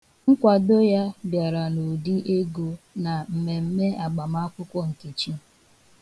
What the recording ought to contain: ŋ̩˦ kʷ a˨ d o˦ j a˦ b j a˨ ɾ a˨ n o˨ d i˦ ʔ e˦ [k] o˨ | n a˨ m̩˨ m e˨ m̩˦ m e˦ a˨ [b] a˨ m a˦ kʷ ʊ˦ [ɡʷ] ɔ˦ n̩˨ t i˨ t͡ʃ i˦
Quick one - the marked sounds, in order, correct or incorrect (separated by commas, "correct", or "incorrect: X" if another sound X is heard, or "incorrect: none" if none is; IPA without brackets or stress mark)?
incorrect: ɡ, incorrect: ɡ͡b, incorrect: kʷ